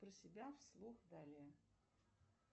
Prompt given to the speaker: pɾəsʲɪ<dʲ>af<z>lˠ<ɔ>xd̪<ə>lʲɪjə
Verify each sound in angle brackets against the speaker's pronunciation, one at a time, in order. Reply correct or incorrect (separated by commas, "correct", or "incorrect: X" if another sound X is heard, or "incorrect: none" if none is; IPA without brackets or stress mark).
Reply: incorrect: bʲ, incorrect: s, incorrect: u, incorrect: a